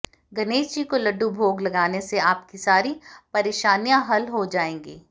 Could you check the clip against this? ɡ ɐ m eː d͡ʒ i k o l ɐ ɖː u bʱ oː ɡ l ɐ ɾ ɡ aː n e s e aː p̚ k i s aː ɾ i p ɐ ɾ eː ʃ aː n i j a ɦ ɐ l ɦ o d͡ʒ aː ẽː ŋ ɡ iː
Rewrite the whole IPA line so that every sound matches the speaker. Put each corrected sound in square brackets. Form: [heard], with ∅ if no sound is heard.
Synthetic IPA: ɡ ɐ [n] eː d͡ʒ i k o l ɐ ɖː u bʱ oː ɡ l ɐ [∅] ɡ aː n e s e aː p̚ k i s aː ɾ i p ɐ ɾ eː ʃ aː n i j a ɦ ɐ l ɦ o d͡ʒ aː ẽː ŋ ɡ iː